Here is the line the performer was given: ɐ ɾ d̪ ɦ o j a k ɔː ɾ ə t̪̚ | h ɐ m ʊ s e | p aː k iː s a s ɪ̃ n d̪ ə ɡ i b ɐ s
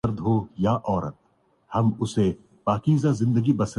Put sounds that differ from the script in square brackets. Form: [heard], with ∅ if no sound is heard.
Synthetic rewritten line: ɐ ɾ d̪ ɦ o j a [ʔ] ɔː ɾ ə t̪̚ | h ɐ m ʊ s e | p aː k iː [z] a [z] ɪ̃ n d̪ ə ɡ i b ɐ s